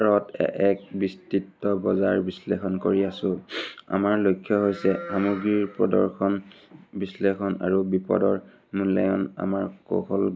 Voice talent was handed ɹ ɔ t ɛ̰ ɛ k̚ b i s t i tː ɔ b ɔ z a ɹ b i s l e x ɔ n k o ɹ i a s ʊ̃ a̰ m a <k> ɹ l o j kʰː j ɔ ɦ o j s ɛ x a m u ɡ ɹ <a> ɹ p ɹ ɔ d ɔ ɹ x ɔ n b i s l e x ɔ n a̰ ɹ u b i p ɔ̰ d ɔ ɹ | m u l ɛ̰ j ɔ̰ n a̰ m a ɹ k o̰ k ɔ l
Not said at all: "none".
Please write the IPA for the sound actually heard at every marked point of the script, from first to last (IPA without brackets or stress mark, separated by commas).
none, i